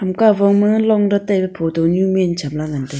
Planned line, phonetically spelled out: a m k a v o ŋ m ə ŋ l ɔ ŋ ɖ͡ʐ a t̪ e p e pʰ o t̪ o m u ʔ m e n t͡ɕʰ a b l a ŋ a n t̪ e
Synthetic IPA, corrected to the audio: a m k a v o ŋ m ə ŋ l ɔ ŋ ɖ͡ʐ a t̪ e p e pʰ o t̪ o ɲ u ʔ m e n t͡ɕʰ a m l a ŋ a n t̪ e